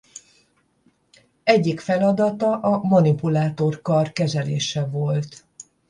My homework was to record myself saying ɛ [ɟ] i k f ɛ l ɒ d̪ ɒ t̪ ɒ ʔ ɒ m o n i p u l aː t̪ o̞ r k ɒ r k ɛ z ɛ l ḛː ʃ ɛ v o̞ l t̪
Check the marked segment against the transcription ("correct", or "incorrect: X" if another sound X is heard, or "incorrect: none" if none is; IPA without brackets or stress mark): incorrect: ɟː